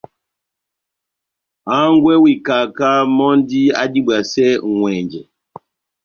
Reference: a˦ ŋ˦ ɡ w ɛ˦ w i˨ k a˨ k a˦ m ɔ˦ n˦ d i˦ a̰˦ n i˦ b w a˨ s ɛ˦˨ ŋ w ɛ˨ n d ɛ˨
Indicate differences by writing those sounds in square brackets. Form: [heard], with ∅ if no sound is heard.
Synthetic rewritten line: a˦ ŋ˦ ɡ w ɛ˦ w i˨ k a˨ k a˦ m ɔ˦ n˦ d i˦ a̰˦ [d] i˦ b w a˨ s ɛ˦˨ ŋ w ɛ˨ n [d͡ʒ] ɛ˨